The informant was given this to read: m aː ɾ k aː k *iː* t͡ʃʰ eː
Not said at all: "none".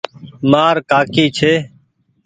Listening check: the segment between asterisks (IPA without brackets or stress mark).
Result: iː